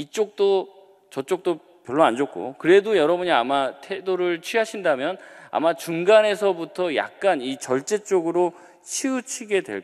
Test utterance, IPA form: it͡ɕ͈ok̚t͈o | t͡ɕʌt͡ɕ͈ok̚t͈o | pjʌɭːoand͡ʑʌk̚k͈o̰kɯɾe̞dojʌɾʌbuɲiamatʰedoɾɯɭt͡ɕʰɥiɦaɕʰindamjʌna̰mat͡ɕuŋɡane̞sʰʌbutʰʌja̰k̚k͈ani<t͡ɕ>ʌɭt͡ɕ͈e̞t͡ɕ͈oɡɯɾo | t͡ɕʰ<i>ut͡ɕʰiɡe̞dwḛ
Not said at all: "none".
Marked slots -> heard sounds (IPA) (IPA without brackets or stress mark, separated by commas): t͡ɕ, i